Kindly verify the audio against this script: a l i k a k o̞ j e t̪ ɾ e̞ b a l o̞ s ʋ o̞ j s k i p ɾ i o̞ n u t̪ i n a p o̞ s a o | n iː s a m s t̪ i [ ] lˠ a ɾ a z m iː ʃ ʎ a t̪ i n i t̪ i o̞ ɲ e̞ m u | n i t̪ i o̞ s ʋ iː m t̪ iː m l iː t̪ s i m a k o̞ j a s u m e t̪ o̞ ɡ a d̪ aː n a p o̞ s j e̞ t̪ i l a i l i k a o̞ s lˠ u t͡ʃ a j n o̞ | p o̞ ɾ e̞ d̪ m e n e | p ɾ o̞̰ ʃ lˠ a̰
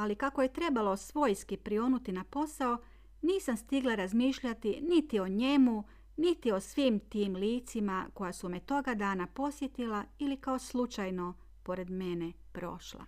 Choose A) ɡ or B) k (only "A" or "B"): A